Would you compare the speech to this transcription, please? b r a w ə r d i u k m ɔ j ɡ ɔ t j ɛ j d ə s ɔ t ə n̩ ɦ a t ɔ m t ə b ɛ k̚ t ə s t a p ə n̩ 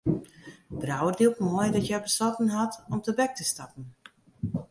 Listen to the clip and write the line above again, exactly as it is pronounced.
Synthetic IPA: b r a w ə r d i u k m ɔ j d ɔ t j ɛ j b ə s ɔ t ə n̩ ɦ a t ɔ m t ə b ɛ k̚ t ə s t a p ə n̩